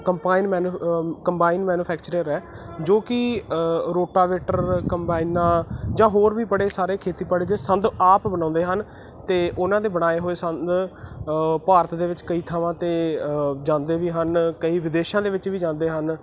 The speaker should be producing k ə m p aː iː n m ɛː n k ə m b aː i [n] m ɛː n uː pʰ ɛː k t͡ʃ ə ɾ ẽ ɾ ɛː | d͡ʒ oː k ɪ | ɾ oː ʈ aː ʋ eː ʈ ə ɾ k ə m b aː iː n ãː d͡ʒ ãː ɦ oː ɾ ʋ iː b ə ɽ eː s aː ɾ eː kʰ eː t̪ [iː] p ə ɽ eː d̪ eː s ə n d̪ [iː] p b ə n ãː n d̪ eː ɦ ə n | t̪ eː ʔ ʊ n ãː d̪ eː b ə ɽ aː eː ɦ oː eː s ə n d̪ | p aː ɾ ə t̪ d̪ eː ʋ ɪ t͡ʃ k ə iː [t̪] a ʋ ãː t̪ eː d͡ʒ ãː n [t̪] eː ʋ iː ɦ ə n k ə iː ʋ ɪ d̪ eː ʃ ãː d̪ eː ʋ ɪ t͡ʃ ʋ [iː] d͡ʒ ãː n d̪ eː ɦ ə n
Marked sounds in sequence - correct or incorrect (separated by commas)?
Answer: correct, correct, incorrect, incorrect, incorrect, correct